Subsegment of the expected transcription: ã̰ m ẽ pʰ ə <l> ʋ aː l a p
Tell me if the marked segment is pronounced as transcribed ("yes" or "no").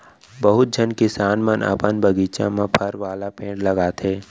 no